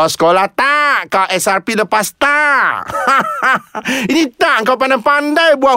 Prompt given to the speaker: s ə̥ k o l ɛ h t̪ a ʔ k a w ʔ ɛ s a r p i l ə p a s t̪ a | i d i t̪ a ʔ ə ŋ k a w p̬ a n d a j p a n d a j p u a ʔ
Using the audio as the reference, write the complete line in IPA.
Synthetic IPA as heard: s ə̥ k o l a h t̪ a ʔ k a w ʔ ɛ s a r p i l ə p a s t̪ a | i n i t̪ a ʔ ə ŋ k a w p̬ a n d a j p a n d a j b u a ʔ